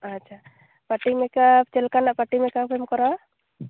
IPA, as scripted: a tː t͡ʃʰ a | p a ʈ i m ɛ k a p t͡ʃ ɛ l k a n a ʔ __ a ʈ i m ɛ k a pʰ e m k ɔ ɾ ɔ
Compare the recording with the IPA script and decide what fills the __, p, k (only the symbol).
p